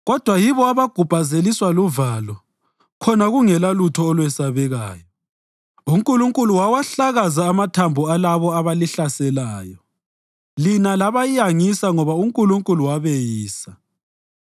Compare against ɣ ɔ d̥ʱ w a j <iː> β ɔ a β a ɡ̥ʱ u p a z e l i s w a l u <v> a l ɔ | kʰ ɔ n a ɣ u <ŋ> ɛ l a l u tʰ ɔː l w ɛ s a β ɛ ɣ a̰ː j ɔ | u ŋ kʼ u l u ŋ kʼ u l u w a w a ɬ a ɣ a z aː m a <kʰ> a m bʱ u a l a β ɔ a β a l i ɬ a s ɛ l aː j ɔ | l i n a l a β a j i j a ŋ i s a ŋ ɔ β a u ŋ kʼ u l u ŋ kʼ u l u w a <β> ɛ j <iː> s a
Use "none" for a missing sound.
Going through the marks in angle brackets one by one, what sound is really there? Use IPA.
i, v, ŋ, tʰ, β, iː

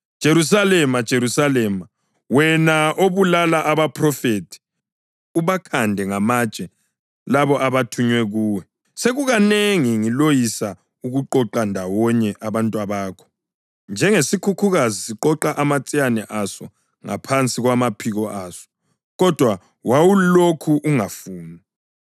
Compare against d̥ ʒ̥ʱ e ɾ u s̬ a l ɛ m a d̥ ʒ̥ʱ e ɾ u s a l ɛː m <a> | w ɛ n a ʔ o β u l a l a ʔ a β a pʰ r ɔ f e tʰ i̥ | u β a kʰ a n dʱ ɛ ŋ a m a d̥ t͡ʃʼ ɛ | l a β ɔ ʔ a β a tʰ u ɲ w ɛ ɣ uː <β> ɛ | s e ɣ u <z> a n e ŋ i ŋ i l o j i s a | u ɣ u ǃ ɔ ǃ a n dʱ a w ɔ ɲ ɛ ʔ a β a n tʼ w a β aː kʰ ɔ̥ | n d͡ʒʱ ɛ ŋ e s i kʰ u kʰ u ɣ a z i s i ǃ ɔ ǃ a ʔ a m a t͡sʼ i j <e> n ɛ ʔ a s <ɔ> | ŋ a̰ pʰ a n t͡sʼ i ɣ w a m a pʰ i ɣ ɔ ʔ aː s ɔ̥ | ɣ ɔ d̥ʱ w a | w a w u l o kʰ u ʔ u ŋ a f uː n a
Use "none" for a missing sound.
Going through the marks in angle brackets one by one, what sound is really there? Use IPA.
a, w, ɣ, a, ɔ

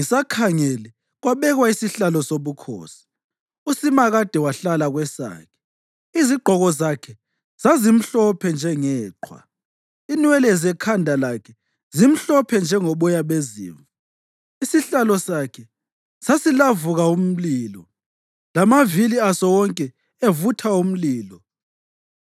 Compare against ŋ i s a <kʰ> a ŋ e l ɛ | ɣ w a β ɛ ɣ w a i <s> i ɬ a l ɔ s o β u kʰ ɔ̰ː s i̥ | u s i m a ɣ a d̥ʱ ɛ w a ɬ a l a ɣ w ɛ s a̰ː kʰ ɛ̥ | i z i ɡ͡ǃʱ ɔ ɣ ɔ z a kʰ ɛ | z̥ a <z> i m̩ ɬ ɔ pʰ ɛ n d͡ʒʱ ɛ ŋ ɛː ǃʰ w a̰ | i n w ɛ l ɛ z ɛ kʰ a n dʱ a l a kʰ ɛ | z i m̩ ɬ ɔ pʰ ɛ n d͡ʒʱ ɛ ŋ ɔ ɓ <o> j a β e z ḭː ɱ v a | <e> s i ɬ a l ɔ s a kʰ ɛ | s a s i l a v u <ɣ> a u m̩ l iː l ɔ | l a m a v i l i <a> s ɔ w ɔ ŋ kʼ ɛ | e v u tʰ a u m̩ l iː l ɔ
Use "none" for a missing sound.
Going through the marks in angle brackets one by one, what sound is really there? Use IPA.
kʰ, s, z, ɔ, i, ɣ, a

